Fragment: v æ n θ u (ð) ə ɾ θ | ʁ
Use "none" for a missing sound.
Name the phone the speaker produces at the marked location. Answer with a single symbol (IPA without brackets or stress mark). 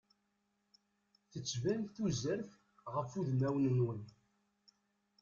z